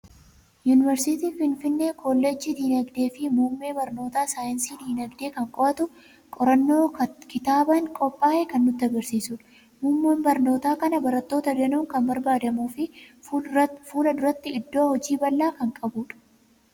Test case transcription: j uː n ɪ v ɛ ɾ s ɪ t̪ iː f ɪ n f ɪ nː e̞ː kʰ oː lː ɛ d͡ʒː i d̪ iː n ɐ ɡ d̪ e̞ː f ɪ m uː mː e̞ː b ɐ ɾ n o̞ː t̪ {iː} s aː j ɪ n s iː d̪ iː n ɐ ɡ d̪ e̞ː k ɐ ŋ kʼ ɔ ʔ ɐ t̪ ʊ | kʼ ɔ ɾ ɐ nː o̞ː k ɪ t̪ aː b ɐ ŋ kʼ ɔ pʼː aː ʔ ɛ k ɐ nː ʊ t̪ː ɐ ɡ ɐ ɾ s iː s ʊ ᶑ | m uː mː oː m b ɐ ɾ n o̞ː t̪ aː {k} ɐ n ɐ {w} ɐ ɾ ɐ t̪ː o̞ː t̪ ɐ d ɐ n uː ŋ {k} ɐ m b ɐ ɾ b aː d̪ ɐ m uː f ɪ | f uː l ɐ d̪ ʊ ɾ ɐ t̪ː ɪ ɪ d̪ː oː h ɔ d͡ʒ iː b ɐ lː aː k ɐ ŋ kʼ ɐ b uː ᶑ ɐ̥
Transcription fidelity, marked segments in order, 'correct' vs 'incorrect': incorrect: aː, correct, incorrect: b, correct

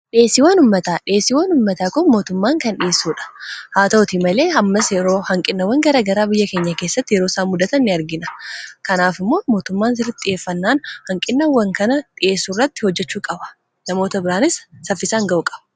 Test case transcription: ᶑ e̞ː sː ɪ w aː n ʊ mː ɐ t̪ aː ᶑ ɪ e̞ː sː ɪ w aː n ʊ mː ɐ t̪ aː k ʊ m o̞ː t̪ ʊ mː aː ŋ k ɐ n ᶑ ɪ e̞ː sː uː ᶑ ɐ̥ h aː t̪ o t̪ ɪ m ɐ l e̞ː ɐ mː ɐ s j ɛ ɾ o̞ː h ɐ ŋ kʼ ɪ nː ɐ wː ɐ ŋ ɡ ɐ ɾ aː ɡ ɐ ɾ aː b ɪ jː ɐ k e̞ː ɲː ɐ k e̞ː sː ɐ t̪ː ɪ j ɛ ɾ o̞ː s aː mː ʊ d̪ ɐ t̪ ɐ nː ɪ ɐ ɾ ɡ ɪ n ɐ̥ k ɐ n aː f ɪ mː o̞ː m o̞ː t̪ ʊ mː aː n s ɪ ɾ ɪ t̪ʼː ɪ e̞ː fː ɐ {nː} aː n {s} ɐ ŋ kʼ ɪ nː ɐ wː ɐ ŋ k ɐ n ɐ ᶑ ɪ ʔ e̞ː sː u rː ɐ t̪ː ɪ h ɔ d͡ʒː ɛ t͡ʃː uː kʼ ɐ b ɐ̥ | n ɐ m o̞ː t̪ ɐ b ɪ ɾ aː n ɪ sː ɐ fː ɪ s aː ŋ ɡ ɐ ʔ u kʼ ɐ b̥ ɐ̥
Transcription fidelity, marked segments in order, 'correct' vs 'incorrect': correct, incorrect: h

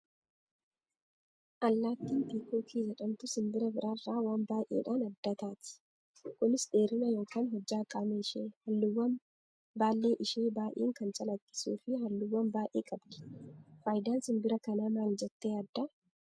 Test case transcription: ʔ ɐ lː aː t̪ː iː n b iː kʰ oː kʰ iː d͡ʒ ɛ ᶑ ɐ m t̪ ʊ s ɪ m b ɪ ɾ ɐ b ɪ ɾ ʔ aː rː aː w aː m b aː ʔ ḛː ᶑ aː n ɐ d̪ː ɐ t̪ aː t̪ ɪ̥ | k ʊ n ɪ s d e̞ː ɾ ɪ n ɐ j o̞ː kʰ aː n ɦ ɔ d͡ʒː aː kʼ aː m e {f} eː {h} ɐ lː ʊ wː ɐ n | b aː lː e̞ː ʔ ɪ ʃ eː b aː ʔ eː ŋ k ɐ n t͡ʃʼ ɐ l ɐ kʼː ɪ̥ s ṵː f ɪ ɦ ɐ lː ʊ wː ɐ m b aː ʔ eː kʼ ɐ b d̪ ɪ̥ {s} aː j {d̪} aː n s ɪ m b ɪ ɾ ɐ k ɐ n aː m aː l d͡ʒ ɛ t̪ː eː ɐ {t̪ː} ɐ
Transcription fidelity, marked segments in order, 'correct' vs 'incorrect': incorrect: ʃ, correct, incorrect: f, correct, incorrect: d̪ː

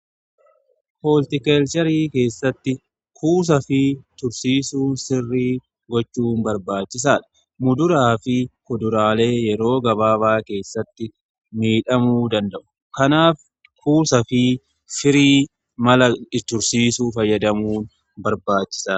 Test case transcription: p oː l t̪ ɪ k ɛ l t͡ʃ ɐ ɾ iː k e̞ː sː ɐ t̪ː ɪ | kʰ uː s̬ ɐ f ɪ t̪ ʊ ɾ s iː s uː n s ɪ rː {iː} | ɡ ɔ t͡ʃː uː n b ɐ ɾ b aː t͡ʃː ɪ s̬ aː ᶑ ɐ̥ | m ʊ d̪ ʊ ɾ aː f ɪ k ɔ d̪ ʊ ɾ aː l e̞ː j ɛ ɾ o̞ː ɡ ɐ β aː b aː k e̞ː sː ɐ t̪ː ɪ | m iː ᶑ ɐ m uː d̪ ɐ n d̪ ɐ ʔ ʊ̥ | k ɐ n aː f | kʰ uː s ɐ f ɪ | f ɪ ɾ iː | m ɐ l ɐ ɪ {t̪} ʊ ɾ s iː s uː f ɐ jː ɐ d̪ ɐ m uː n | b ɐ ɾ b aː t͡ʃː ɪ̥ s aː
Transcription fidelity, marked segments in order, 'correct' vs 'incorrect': correct, correct

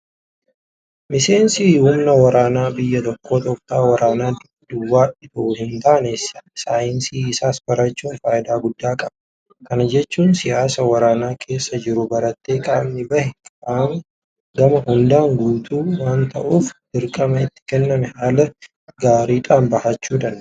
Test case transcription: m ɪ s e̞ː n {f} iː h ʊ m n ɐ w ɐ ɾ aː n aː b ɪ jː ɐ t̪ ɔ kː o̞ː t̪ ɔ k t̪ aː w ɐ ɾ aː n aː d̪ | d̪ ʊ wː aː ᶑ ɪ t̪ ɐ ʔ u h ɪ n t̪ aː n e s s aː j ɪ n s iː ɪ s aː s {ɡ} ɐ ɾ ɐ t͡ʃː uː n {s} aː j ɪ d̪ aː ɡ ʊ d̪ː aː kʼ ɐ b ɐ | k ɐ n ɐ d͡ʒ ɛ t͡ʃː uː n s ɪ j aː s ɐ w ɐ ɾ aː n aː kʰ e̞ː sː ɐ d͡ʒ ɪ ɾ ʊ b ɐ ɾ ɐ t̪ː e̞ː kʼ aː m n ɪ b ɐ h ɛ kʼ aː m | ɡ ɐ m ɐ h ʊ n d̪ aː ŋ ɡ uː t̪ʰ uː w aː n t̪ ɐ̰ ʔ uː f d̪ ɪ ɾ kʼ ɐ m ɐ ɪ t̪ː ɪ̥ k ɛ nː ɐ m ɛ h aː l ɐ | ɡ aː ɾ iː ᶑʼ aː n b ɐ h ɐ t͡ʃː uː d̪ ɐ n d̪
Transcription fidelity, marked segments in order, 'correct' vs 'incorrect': incorrect: s, incorrect: b, incorrect: f

